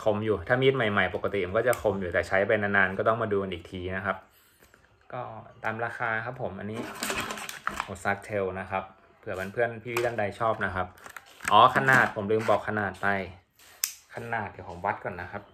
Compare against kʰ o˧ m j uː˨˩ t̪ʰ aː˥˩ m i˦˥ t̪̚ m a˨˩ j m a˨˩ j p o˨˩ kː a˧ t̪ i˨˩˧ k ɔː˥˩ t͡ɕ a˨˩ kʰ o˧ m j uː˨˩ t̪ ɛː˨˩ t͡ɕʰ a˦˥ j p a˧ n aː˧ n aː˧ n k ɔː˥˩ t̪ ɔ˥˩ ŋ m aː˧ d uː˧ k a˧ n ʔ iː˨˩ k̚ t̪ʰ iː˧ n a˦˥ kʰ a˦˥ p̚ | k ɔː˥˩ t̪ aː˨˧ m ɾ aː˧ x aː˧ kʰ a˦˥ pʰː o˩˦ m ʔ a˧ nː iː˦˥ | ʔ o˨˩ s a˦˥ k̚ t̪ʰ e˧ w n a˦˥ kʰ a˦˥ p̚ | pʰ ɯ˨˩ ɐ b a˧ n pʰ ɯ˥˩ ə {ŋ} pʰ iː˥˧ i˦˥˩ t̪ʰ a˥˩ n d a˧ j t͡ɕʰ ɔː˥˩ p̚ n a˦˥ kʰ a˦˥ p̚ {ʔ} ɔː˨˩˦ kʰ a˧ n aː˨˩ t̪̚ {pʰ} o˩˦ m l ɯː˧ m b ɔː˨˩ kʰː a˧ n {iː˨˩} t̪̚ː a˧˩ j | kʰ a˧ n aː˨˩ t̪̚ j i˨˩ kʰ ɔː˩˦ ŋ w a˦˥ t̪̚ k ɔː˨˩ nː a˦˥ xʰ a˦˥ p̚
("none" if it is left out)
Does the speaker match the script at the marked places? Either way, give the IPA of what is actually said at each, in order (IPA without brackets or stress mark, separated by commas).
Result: n, ʔ, pʰ, aː˨˩